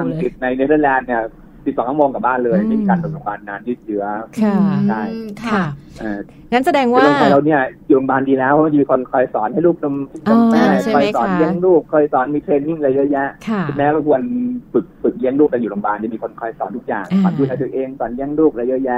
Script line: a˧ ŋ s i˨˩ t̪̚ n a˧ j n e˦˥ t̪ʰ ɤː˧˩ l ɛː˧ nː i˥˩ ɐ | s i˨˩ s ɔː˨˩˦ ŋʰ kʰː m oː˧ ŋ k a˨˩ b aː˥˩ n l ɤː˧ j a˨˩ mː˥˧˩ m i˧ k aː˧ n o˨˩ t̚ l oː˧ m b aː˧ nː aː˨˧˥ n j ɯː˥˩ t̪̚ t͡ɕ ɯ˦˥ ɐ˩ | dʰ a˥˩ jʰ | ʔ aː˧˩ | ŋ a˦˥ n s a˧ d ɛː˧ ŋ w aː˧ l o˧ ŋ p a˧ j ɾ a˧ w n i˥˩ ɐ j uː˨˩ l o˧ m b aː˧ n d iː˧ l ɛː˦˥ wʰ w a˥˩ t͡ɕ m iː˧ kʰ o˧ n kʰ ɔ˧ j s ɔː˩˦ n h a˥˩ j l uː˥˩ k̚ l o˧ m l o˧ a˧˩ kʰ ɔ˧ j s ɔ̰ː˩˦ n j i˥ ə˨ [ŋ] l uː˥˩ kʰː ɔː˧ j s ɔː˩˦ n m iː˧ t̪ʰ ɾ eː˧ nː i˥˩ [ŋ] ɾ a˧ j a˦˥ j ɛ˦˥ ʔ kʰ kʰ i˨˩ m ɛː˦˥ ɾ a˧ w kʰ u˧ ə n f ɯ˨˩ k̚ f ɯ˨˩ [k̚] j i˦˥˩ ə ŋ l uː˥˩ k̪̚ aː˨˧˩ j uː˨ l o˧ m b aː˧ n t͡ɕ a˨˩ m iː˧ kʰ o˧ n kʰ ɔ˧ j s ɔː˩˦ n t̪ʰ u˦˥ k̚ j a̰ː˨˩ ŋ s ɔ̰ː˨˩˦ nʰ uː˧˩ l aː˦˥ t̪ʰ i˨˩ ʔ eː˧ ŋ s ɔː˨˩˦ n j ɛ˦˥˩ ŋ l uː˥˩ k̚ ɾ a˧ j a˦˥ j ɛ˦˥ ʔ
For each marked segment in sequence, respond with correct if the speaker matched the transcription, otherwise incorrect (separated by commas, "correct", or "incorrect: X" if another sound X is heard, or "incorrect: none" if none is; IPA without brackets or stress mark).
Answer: correct, correct, correct